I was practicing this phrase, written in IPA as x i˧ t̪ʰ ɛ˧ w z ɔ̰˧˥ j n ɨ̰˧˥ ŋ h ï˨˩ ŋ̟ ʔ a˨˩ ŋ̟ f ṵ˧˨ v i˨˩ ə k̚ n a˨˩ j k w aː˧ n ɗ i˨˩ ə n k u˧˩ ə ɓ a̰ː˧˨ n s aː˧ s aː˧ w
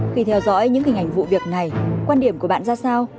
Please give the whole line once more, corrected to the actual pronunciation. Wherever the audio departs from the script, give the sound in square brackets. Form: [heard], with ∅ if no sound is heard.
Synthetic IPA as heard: x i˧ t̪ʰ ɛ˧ w z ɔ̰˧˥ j [ɲ] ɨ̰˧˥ ŋ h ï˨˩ ŋ̟ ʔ a˨˩ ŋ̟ [v] ṵ˧˨ v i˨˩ ə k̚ n a˨˩ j k w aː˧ n ɗ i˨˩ ə [m] k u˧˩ ə ɓ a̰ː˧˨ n [z] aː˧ s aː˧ w